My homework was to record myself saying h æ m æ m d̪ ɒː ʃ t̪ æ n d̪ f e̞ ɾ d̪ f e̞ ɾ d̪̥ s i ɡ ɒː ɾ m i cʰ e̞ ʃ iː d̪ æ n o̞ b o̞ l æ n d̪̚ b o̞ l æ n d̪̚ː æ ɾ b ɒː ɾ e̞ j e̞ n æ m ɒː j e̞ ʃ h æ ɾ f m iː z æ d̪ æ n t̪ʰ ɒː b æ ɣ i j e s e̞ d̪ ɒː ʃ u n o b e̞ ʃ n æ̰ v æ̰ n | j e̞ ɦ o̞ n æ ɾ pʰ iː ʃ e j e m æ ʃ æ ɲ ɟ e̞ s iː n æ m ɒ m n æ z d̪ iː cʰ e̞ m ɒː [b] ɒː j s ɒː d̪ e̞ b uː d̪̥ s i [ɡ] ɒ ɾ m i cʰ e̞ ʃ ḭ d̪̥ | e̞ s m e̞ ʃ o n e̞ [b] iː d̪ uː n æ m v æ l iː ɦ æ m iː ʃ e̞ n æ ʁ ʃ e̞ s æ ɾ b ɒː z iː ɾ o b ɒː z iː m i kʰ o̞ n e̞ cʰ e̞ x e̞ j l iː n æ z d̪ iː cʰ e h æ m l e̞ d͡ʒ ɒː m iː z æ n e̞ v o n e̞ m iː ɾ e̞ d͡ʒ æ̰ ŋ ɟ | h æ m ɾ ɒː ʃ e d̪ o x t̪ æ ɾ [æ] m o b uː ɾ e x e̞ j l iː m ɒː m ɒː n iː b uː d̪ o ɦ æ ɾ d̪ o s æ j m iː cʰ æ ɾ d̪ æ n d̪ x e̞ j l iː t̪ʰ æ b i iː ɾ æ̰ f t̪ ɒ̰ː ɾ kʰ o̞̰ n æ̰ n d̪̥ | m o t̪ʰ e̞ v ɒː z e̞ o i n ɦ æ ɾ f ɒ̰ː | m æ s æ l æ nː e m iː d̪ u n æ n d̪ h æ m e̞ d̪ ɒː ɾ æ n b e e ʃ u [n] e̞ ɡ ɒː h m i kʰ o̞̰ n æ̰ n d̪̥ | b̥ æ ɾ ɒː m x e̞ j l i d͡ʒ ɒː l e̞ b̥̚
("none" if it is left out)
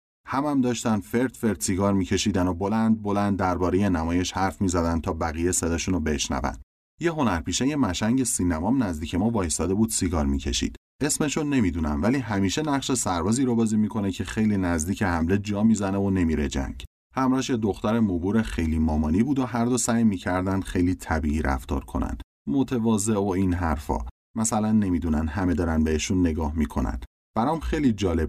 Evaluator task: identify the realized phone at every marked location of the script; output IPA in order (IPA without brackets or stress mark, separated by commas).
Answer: v, ɡ, m, e, nː